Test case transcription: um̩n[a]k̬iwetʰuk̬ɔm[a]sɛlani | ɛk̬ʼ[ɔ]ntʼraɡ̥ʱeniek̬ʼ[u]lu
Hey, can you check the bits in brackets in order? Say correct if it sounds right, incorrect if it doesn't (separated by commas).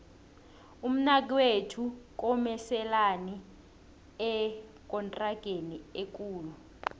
correct, incorrect, correct, incorrect